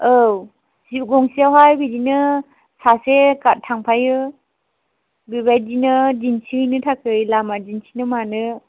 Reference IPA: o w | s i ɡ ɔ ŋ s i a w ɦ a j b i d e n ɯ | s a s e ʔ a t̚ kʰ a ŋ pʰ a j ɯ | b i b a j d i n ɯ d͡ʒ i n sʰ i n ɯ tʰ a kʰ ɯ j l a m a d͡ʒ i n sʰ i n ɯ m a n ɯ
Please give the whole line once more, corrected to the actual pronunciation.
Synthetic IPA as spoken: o w | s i ɡ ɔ ŋ s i a w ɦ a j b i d i n ɯ | s a s e k a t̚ tʰ a ŋ pʰ a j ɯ | b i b a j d i n ɯ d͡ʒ i n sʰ i n ɯ tʰ a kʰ ɯ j l a m a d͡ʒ i n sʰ i n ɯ m a n ɯ